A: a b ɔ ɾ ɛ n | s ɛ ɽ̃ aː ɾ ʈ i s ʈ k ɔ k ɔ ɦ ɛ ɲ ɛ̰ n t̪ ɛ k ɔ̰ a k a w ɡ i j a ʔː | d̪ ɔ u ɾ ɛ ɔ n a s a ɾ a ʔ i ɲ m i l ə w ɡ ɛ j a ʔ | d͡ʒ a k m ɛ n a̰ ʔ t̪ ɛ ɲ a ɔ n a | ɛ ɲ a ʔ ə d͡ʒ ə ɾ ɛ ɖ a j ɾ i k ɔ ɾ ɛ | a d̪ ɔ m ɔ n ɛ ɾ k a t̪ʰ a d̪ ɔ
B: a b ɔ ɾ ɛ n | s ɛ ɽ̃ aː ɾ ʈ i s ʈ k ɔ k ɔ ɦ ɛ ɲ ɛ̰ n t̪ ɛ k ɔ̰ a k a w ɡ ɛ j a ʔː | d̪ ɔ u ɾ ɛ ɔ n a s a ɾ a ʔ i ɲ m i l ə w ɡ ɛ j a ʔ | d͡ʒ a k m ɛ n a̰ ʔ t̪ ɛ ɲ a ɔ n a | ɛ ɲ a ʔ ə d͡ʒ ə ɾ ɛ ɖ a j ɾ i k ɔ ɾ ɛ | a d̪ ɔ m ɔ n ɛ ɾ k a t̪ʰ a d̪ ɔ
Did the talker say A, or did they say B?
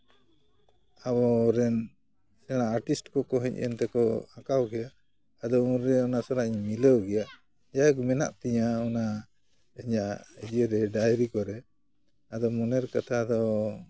B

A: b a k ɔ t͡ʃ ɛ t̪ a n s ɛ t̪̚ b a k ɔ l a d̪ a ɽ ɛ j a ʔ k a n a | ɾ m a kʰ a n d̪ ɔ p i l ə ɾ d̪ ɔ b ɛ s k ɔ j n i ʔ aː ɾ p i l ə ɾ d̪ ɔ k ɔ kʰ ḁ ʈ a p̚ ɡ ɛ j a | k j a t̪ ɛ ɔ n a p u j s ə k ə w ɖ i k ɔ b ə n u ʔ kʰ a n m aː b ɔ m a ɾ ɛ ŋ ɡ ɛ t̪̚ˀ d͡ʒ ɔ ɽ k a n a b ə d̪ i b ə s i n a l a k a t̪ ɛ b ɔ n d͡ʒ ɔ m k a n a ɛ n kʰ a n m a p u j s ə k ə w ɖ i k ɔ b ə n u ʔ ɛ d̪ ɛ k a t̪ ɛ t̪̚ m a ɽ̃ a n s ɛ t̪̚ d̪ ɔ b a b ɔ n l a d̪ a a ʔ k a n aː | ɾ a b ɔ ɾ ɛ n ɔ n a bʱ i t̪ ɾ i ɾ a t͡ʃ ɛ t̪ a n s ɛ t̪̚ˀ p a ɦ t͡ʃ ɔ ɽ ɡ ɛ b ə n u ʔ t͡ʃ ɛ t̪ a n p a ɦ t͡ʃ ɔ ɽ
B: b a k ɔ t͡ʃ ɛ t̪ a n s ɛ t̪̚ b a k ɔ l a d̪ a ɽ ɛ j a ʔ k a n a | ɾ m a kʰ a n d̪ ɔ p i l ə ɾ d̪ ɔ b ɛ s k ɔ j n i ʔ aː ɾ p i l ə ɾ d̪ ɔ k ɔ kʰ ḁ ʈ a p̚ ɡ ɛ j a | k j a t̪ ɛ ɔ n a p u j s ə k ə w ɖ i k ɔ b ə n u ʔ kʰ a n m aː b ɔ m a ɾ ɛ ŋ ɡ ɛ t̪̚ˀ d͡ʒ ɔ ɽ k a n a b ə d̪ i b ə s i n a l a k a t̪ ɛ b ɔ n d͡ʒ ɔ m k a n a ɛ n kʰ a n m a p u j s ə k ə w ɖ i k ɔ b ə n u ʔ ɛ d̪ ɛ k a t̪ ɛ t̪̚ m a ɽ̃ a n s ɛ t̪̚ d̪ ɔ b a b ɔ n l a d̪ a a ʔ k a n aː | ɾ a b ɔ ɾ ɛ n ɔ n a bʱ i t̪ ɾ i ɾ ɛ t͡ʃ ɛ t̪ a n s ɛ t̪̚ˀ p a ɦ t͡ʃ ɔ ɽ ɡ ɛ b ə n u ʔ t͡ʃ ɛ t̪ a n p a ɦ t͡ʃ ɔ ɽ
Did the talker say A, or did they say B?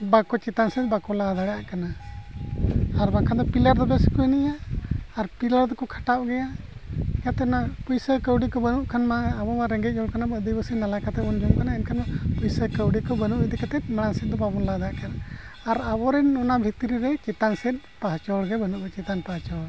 B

